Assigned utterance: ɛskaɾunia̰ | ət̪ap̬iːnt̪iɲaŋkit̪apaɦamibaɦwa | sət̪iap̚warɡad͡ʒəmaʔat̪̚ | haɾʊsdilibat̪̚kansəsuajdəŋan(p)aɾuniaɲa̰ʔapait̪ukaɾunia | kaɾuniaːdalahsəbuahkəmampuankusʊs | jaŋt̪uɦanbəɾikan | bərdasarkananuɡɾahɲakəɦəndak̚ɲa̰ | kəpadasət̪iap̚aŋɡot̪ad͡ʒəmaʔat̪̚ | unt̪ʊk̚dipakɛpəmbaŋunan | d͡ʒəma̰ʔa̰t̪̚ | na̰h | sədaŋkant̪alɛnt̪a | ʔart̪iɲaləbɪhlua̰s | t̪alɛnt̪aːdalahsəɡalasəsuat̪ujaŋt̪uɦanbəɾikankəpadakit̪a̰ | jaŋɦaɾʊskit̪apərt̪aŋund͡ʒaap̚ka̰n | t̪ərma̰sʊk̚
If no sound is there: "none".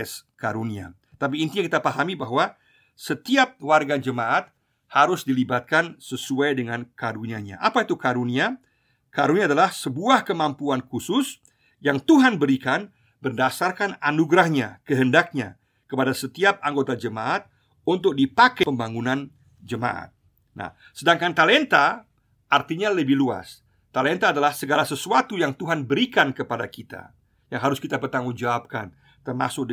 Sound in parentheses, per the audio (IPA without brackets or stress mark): k